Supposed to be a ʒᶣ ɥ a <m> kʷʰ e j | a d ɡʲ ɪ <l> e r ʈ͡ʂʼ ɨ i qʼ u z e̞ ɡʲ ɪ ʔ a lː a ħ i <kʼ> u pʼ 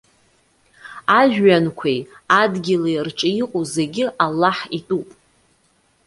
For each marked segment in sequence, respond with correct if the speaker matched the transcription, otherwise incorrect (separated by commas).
incorrect, correct, incorrect